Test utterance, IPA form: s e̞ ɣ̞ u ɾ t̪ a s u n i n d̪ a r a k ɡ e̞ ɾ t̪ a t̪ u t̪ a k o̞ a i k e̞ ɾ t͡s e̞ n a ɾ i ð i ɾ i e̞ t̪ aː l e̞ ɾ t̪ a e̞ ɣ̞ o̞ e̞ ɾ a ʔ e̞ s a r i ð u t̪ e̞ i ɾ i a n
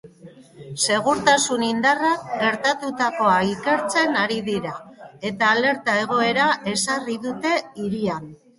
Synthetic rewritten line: s e̞ ɣ̞ u ɾ t̪ a s u n i n d̪ a r a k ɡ e̞ ɾ t̪ a t̪ u t̪ a k o̞ a i k e̞ ɾ t͡s e̞ n a ɾ i ð i ɾ a e̞ t̪ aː l e̞ ɾ t̪ a e̞ ɣ̞ o̞ e̞ ɾ a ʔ e̞ s a r i ð u t̪ e̞ i ɾ i a n